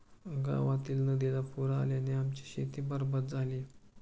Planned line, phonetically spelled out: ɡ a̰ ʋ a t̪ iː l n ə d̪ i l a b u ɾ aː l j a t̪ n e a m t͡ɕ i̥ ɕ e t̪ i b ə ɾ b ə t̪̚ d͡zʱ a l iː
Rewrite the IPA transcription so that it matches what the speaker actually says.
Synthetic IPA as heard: ɡ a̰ ʋ a t̪ iː l n ə d̪ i l a p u ɾ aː l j a n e a m t͡ɕ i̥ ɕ e t̪ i b ə ɾ b ə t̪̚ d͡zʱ a l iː